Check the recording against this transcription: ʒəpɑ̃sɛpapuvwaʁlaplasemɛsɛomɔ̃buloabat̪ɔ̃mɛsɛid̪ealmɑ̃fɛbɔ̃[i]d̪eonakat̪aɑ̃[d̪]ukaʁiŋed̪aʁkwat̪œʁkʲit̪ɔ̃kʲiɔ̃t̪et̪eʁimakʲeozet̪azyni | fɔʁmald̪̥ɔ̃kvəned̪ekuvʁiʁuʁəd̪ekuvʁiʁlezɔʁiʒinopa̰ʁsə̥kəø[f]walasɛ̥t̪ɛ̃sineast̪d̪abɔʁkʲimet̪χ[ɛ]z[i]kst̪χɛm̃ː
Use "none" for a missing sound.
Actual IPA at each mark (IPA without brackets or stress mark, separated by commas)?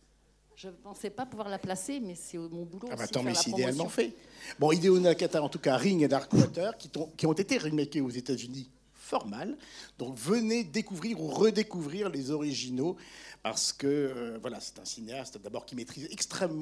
i, t̪, v, i, ɛ